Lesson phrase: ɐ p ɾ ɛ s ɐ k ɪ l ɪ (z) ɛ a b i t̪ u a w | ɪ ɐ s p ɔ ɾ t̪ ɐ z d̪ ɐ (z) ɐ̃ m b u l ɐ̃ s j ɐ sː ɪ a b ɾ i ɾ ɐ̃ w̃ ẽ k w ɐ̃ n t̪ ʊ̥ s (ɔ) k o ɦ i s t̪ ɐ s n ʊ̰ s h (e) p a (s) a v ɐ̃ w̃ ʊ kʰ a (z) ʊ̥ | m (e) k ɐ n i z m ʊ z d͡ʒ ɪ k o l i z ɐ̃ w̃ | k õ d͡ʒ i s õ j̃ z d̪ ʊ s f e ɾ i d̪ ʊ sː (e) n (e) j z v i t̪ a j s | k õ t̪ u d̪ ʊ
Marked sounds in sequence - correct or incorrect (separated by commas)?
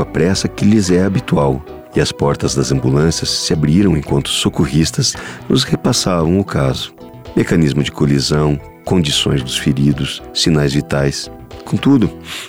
correct, correct, incorrect, correct, correct, correct, correct, incorrect, incorrect